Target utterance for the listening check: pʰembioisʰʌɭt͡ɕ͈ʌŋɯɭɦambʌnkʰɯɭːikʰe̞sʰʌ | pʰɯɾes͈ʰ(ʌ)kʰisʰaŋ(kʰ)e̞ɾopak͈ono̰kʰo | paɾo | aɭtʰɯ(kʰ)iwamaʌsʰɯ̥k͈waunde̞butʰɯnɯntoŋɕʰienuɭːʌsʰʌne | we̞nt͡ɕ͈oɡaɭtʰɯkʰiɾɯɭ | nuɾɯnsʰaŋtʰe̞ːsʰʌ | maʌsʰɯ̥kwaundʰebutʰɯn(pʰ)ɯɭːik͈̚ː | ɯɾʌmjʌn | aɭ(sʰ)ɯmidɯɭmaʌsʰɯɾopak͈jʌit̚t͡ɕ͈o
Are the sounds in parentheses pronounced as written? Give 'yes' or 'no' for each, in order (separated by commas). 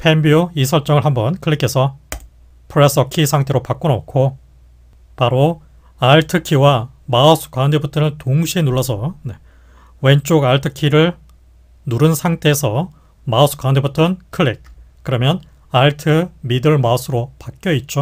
yes, no, yes, no, no